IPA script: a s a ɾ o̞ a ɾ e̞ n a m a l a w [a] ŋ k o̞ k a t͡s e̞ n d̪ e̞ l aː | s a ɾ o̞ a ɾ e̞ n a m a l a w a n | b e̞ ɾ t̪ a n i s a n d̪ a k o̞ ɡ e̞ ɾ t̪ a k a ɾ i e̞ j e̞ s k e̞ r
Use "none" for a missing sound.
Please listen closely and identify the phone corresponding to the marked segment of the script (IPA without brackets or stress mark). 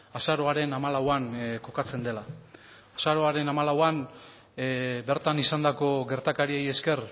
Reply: a